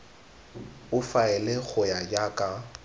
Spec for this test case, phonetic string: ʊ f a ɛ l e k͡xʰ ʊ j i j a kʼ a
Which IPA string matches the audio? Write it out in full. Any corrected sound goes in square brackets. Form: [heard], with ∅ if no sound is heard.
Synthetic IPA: ʊ f a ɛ l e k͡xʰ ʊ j [a] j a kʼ a